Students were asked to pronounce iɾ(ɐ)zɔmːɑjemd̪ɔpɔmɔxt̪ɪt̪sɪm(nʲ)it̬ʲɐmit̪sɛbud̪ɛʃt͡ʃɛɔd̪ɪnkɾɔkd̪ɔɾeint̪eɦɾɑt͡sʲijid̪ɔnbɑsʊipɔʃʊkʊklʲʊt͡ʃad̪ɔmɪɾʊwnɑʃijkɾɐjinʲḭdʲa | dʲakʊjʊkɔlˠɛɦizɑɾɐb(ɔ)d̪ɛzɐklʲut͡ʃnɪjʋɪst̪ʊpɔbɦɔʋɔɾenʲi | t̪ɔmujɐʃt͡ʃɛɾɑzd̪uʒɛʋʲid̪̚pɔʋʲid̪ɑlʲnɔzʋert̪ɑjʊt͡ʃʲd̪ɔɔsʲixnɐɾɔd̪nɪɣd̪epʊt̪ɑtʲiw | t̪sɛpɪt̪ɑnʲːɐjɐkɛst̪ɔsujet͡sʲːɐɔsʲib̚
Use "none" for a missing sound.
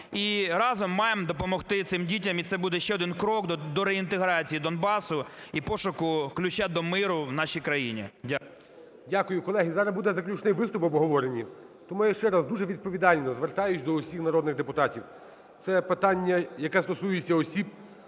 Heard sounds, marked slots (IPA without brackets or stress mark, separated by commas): ɑ, dʲ, u